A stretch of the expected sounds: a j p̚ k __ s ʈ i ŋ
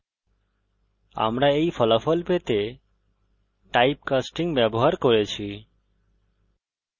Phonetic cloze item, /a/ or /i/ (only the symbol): a